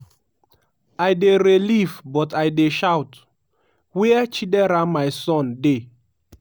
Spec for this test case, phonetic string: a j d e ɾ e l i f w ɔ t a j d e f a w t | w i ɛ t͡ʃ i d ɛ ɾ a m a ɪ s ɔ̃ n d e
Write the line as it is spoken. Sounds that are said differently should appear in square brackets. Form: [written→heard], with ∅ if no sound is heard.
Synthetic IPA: a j d e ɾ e l i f [w→b] ɔ t a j d e [f→ʃ] a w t | w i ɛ t͡ʃ i d ɛ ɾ a m a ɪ s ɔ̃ n d e